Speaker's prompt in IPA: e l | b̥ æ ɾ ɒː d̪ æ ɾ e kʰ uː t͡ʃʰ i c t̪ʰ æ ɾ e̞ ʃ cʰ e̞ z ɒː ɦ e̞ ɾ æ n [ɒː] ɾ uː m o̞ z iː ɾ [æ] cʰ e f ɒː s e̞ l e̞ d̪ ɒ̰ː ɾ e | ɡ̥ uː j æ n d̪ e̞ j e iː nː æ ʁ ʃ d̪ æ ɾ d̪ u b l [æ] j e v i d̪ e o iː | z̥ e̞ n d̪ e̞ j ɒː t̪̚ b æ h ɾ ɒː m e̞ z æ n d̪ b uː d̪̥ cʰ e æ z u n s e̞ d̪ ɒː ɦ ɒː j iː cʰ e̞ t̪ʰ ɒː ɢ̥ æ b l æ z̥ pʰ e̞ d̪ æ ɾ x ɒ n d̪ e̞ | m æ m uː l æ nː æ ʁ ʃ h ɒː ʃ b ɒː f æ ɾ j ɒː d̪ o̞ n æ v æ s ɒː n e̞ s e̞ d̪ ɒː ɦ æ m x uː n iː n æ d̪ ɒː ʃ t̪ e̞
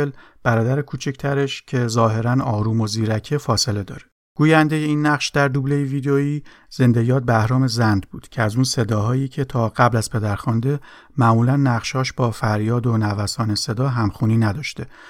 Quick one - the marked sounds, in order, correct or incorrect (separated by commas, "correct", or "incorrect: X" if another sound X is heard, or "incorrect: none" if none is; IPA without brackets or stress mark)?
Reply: correct, correct, incorrect: e